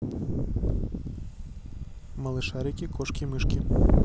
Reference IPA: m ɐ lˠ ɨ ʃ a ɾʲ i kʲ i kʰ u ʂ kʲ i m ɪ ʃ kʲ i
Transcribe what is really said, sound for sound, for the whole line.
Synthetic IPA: m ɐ lˠ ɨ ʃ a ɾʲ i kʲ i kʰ ɔ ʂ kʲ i m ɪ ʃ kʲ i